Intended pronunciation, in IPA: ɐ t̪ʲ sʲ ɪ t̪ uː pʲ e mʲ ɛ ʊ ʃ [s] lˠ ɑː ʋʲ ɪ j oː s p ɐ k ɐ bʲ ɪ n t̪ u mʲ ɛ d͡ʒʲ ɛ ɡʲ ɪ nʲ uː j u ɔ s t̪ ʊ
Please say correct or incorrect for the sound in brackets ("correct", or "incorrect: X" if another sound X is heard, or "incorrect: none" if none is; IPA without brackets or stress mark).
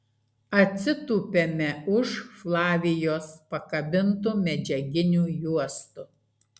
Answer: incorrect: f